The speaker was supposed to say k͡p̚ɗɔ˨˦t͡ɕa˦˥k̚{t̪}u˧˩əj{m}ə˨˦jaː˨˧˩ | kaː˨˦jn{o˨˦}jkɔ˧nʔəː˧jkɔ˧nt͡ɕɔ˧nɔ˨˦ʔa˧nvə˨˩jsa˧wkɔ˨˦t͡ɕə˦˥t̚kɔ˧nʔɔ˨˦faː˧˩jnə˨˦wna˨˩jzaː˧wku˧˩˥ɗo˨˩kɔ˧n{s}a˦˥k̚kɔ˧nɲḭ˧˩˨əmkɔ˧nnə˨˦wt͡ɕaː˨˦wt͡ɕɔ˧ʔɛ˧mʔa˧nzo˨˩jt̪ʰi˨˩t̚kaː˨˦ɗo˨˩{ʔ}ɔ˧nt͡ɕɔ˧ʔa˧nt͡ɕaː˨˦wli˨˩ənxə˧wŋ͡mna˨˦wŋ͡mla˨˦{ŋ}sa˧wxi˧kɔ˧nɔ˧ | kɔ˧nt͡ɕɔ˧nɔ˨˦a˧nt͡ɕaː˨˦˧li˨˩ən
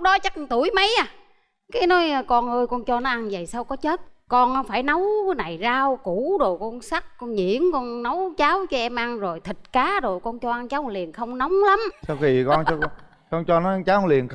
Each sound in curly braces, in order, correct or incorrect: correct, correct, incorrect: ɔ˨˦, correct, incorrect: k, incorrect: m

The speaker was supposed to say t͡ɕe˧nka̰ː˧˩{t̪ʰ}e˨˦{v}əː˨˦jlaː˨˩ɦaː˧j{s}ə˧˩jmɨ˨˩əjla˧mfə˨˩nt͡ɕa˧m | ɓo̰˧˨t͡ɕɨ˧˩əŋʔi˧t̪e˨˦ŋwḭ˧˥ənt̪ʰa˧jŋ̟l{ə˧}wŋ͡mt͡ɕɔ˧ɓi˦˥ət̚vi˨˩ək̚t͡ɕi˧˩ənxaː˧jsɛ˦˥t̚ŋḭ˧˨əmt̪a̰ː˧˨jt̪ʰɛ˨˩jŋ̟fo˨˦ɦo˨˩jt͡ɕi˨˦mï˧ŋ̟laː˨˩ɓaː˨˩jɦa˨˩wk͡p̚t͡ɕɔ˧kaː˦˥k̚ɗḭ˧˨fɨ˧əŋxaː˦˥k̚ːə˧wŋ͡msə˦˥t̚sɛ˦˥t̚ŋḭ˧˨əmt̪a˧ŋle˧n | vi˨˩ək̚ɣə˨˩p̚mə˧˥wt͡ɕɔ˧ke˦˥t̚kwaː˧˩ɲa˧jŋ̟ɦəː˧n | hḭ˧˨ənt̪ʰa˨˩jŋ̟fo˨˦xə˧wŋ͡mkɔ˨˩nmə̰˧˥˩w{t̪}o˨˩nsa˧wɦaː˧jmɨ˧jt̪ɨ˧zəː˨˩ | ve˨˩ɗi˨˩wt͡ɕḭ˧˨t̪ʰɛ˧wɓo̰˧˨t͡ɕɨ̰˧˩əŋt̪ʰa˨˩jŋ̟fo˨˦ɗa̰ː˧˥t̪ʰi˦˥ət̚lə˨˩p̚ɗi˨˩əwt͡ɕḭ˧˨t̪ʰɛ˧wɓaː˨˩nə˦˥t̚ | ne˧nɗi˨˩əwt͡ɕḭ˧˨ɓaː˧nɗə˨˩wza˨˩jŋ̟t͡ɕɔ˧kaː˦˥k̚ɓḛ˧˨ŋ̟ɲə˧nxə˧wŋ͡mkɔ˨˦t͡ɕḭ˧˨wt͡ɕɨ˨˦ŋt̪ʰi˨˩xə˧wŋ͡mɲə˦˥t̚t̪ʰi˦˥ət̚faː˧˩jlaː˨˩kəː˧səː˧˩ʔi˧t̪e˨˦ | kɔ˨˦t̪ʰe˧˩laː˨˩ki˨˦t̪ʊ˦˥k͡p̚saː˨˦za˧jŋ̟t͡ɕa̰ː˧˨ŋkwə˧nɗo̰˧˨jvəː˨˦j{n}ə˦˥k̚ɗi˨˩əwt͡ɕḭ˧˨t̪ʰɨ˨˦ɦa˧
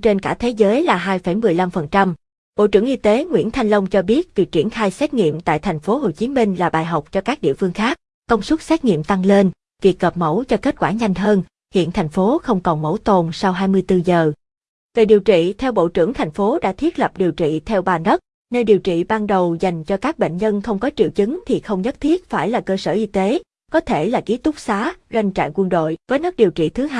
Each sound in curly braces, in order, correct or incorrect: correct, incorrect: z, incorrect: f, correct, correct, correct

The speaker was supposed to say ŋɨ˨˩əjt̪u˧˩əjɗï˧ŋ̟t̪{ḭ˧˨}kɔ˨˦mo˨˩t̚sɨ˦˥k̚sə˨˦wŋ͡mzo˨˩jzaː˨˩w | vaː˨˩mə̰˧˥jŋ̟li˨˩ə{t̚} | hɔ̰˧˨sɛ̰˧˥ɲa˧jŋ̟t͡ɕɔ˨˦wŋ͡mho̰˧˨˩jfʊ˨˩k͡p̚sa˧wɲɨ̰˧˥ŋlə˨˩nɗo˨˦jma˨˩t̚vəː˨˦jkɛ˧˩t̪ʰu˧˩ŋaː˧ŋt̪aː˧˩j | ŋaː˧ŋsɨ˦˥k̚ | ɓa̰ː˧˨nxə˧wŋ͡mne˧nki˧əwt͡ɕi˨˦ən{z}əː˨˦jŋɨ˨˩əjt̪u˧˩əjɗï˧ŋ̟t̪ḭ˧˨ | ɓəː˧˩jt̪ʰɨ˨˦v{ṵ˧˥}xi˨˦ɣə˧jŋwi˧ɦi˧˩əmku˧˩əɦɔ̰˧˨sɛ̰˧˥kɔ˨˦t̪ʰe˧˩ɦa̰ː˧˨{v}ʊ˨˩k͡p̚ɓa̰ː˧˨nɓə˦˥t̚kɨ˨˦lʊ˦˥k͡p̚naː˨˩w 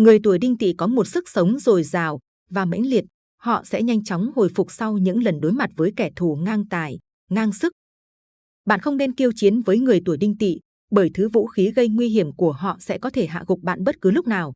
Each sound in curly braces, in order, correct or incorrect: correct, correct, incorrect: v, correct, incorrect: ɣ

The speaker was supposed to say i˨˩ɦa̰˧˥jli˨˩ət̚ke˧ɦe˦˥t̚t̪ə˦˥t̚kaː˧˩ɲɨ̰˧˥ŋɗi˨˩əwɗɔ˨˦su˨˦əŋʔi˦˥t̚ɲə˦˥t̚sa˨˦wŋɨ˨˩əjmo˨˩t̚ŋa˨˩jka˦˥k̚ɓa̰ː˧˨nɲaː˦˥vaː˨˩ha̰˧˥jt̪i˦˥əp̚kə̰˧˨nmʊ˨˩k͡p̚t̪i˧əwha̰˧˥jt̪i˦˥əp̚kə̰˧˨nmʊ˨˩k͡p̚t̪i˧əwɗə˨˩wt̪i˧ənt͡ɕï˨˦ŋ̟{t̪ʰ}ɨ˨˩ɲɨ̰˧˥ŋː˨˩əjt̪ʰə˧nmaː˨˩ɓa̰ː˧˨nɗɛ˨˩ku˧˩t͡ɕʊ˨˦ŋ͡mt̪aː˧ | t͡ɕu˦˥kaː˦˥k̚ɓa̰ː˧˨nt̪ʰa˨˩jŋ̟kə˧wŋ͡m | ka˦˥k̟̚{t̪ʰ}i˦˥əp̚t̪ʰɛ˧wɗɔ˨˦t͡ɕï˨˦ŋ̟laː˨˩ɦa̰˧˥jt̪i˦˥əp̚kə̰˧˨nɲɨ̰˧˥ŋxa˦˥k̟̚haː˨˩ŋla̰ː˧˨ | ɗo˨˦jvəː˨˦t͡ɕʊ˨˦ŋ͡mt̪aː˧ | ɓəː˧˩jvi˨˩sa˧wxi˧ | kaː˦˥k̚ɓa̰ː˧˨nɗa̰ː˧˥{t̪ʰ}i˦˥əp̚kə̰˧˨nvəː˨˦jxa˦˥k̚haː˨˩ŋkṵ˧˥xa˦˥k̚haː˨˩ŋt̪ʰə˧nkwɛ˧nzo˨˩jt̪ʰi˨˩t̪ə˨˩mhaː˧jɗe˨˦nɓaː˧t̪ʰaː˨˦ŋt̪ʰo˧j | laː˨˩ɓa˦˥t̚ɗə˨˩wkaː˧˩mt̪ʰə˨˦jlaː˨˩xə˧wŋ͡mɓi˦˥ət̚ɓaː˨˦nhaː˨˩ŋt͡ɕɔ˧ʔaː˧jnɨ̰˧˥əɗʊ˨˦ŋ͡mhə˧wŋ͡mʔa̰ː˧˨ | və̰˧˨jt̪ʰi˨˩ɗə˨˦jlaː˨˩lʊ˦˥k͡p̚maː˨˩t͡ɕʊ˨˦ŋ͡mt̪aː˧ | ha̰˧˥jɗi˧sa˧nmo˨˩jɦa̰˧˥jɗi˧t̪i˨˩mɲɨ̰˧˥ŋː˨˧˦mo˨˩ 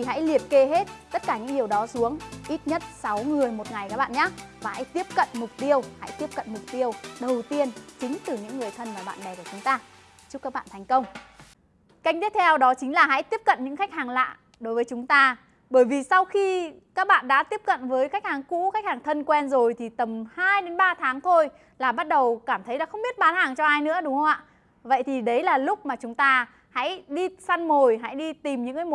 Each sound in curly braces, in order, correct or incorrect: incorrect: t̪, incorrect: t̪, incorrect: t̪

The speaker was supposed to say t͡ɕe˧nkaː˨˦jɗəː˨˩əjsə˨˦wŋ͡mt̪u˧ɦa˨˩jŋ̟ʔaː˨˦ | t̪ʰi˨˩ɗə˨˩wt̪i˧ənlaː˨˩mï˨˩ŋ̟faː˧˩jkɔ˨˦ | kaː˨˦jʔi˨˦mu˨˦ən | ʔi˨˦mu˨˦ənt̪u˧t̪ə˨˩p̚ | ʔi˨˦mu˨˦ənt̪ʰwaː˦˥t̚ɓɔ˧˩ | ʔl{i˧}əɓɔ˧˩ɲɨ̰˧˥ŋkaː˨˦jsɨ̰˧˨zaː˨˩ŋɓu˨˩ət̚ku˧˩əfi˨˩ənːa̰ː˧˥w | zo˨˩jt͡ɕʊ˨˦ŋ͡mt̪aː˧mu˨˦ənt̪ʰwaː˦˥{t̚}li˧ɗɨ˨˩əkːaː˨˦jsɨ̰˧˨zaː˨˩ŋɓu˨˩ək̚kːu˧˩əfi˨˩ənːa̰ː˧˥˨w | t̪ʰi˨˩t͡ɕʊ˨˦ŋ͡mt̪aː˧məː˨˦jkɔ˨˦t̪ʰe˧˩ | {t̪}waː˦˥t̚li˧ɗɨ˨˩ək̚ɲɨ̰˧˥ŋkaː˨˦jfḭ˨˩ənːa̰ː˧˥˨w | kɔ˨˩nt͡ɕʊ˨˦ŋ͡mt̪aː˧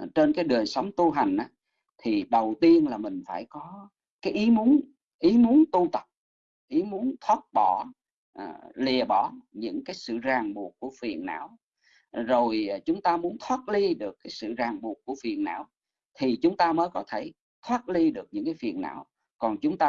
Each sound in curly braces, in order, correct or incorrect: incorrect: i˨˩, correct, incorrect: t̪ʰ

